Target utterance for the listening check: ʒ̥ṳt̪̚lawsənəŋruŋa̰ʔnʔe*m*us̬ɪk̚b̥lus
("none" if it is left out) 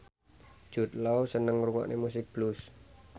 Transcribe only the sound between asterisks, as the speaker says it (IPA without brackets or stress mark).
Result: m